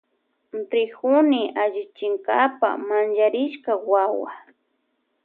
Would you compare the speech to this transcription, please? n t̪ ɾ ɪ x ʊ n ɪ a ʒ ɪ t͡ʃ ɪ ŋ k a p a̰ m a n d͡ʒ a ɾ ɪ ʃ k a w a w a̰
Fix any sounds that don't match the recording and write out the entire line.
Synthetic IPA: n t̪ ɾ ɪ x ʊ n ɪ a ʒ ɪ t͡ʃ ɪ ŋ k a p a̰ m a n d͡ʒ a ɾ ɪ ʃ k a w a w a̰

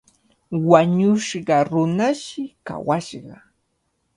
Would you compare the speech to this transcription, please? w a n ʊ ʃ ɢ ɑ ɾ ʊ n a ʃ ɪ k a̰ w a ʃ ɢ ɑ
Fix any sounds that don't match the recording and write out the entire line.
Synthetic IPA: w a ɲ ʊ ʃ ɢ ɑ ɾ ʊ n a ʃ ɪ k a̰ w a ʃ ɢ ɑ

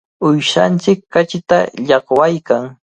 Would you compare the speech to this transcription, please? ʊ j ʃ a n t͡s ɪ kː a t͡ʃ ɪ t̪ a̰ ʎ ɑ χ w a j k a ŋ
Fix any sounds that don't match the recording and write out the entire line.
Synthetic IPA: ʊ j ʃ a n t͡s ɪ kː a t͡ʃ ɪ t̪ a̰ ʎ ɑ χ w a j k a ŋ

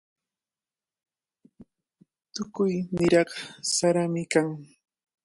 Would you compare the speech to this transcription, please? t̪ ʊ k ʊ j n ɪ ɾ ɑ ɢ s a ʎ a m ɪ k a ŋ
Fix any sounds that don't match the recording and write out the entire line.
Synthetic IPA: t̪ ʊ k ʊ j n ɪ ɾ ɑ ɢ s a ɾ a m ɪ k a ŋ

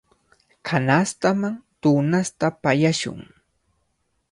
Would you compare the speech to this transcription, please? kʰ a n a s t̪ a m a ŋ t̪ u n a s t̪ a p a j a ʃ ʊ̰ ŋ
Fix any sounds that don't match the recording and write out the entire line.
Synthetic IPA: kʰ a n a s t̪ a m a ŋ t̪ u n a s t̪ a p a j a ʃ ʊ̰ ŋ

